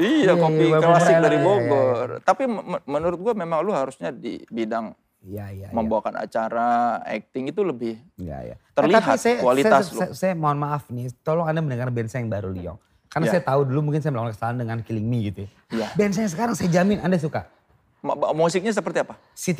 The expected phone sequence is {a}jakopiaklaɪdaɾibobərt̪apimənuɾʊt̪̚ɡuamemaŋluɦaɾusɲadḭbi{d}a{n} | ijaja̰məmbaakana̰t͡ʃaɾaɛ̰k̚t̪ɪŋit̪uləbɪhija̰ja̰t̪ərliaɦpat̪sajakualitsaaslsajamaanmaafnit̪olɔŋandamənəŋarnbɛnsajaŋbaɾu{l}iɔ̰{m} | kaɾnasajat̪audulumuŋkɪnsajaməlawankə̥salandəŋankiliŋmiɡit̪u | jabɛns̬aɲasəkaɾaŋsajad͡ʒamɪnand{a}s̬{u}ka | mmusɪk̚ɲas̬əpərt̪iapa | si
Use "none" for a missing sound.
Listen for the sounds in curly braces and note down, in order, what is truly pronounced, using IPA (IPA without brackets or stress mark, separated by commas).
i, d, ŋ, l, ŋ, a, u